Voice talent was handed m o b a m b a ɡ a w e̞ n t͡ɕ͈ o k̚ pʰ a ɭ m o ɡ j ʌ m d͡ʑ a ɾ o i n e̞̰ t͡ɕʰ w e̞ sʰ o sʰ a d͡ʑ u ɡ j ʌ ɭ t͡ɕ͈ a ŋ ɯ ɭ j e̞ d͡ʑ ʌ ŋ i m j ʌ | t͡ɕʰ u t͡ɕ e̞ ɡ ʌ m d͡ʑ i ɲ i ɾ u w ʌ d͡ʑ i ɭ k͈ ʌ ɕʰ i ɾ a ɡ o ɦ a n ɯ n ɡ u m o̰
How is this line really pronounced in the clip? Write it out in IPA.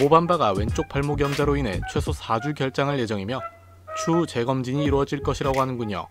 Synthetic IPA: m o b a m b a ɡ a w e̞ n t͡ɕ͈ o k̚ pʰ a ɭ m o ɡ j ʌ m d͡ʑ a ɾ o i n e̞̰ t͡ɕʰ w e̞ sʰ o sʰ a d͡ʑ u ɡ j ʌ ɭ t͡ɕ͈ a ŋ ɯ ɭ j e̞ d͡ʑ ʌ ŋ i m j ʌ | t͡ɕʰ u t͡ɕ e̞ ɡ ʌ m d͡ʑ i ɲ iː ɾ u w ʌ d͡ʑ i ɭ k͈ ʌ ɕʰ i ɾ a ɡ o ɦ a n ɯ n ɡ u ɲ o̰